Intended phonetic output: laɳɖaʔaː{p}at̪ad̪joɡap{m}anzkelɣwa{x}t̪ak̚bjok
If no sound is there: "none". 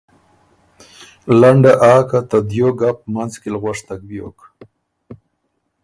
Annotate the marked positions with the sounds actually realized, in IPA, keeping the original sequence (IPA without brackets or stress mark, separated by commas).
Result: k, m, ʂ